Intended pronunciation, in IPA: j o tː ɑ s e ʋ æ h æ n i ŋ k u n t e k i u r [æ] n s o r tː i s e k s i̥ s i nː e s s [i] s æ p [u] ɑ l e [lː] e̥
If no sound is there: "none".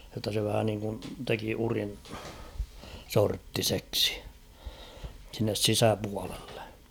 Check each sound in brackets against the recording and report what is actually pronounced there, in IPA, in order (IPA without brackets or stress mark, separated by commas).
i, i, u, lː